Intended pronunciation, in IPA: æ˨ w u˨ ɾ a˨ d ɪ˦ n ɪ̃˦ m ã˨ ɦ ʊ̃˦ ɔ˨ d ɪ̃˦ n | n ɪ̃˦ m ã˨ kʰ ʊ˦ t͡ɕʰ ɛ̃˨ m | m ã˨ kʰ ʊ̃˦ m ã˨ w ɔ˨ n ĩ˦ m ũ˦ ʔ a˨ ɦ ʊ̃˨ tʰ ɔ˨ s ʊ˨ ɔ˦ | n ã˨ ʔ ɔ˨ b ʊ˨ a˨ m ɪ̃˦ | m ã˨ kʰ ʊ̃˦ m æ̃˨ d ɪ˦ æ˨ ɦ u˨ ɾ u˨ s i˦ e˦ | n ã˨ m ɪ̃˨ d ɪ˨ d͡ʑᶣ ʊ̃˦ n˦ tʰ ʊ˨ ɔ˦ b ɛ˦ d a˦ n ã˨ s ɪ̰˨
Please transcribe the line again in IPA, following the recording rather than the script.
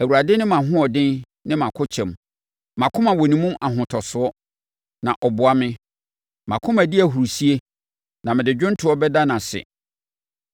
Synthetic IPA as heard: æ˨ w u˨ ɾ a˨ d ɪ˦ n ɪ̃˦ m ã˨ ɦ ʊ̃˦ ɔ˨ d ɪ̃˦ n | n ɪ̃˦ m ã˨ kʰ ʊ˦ t͡ɕʰ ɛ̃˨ m | m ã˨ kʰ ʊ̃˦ m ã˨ w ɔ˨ n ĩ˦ m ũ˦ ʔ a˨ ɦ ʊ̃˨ tʰ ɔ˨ s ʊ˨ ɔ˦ | n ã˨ ʔ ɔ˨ b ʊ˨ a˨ m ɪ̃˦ | m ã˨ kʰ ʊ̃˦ m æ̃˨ d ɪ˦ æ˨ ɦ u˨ ɾ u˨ s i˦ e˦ | n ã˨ m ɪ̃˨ d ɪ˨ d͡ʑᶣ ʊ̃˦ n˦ tʰ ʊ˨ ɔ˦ b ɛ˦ d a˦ n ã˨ s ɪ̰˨

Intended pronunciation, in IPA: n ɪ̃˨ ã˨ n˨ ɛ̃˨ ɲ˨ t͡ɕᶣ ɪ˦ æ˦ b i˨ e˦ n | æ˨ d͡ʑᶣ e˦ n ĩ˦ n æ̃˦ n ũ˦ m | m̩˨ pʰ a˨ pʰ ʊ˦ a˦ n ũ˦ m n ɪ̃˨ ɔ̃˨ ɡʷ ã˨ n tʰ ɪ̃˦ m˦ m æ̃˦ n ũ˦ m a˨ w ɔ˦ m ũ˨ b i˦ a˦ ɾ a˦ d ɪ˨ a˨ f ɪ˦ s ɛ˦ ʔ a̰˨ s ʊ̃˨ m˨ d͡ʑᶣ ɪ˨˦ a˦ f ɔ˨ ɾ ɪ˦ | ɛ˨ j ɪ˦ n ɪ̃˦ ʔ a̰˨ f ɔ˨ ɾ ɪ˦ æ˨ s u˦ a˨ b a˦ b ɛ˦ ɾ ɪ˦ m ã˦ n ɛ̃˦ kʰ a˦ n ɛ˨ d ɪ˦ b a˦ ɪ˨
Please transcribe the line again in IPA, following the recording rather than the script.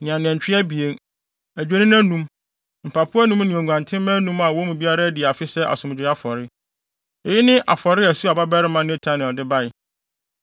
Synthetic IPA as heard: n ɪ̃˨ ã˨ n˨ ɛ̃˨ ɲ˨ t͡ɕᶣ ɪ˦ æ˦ b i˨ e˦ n | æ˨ d͡ʑᶣ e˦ n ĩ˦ n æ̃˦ n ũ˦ m | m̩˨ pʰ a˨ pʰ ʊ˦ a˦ n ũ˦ m n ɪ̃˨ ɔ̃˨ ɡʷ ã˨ n tʰ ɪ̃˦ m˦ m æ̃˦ n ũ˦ m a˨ w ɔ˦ m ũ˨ b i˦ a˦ ɾ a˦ d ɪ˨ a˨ f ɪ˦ s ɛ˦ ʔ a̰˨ s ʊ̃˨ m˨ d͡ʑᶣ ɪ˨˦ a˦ f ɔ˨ ɾ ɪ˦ | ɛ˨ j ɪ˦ n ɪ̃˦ ʔ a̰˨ f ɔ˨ ɾ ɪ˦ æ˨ s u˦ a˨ b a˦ b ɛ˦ ɾ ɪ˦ m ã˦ n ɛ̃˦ tʰ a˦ n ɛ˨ d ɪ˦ b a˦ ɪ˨

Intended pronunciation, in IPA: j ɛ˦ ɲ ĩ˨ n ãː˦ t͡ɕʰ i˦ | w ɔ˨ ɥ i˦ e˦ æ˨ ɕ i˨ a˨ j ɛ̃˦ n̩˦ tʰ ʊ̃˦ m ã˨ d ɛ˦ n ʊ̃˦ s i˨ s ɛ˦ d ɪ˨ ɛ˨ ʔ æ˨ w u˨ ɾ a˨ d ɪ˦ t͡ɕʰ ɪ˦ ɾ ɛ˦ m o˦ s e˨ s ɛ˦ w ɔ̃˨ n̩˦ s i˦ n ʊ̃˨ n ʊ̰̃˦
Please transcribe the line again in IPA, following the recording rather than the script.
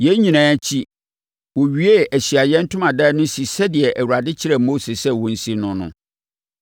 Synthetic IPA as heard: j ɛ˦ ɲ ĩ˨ n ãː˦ t͡ɕʰ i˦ | w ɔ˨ ɥ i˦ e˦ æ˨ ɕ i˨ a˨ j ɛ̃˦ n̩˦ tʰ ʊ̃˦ m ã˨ d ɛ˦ n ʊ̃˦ s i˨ s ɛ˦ d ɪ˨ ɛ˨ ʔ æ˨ w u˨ ɾ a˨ d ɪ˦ t͡ɕʰ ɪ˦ ɾ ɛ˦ m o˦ s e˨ s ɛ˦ w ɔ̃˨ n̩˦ s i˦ n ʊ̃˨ n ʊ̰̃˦

